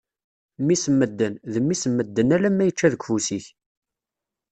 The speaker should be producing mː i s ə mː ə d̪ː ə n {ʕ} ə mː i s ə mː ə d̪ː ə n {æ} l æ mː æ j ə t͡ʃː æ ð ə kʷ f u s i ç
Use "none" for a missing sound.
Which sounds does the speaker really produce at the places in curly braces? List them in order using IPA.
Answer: ð, æ

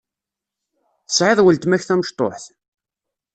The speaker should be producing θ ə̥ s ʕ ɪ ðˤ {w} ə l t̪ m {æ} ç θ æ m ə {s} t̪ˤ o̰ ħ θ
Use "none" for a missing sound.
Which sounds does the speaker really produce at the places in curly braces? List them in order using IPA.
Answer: w, æ, ʃ

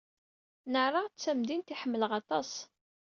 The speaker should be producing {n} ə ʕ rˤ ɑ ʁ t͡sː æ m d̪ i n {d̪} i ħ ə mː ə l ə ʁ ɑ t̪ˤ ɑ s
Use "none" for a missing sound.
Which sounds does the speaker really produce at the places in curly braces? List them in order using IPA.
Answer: n, t̪

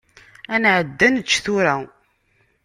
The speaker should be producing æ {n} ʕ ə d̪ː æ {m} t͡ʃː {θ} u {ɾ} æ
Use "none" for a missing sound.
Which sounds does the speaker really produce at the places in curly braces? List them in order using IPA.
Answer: n, n, θ, ɾ

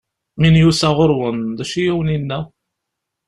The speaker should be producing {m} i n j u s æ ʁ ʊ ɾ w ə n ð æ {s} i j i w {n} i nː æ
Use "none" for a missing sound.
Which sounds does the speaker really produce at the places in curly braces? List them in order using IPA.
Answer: m, ʃ, n

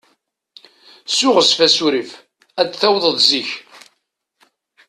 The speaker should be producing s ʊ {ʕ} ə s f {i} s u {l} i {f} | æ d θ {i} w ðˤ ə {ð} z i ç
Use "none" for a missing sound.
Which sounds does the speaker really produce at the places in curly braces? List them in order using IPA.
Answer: ʁ, æ, ɾ, f, æ, ð

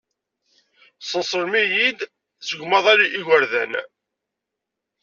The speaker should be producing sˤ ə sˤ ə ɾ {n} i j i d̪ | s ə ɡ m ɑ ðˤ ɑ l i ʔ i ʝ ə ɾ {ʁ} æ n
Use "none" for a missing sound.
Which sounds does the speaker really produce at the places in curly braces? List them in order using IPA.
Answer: m, ð

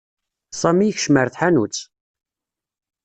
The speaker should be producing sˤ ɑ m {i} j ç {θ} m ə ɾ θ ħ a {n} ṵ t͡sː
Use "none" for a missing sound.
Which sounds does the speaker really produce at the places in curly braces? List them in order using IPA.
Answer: i, ʃ, n

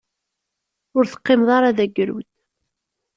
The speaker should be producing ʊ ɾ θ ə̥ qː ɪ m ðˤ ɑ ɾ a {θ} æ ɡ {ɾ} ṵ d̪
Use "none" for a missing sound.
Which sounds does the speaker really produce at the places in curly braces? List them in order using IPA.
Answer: ð, ɾ

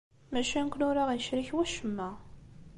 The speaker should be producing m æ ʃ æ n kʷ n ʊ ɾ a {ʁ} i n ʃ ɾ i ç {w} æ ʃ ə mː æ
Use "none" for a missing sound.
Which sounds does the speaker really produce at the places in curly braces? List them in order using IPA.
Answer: ʁ, w

